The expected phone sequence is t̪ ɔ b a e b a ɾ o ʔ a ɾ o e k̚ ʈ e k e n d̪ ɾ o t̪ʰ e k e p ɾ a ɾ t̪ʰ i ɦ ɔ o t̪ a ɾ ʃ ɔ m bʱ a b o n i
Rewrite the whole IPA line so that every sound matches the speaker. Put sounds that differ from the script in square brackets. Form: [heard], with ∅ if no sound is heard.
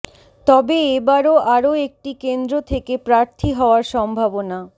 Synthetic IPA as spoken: t̪ ɔ b [e] e b a ɾ o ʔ a ɾ o e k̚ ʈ [i] k e n d̪ ɾ o t̪ʰ e k e p ɾ a ɾ t̪ʰ i ɦ ɔ o [∅] a ɾ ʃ ɔ m bʱ a b o n [a]